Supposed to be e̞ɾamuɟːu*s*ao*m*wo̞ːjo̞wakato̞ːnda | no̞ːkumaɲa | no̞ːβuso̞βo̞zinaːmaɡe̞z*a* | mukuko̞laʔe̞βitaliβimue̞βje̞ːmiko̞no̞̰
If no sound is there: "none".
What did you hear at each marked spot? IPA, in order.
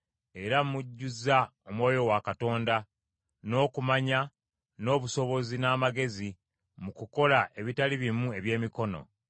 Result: z, m, i

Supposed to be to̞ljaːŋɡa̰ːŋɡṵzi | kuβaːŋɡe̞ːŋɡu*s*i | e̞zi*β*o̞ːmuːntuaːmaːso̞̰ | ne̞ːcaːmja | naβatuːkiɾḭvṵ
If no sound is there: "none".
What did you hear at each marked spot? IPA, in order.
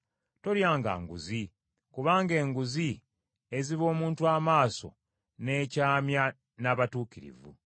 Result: z, β

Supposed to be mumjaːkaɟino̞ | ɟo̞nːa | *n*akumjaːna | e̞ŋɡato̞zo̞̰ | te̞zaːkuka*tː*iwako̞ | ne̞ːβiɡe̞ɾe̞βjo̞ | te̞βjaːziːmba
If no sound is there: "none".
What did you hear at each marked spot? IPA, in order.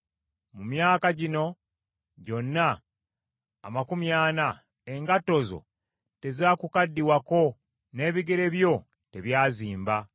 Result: m, dː

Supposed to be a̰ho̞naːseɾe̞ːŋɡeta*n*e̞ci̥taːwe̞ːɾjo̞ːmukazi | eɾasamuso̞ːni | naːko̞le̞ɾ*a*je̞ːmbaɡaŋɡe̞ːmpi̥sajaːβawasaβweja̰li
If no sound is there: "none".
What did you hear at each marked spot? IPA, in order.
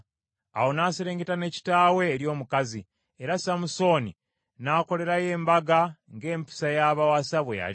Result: n, a

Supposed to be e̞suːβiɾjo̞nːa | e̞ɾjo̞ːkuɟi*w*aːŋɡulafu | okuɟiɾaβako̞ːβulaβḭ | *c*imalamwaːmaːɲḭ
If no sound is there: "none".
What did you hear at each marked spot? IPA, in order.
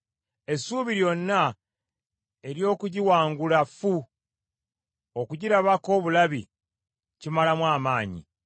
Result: w, c

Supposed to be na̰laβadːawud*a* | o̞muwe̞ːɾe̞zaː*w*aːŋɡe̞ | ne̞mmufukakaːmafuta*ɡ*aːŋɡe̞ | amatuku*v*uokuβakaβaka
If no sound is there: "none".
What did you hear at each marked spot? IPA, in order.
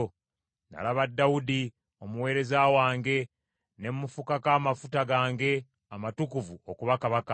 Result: i, w, ɡ, v

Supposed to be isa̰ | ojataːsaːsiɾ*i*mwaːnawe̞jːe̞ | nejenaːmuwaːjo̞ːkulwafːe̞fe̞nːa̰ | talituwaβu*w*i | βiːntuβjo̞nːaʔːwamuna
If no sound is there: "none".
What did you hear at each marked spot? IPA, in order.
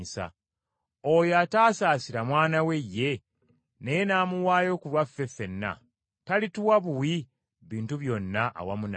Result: a, w

